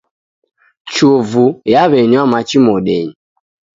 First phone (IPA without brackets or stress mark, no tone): t͡ʃ